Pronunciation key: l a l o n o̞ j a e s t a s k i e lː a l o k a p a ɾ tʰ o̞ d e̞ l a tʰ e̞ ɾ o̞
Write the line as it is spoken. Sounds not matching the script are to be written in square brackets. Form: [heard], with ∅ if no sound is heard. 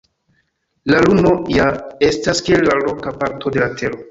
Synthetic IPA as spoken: l a l [u] n o̞ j a e s t a s k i e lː a l o k a p a ɾ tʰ o̞ d e̞ l a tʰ e̞ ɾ o̞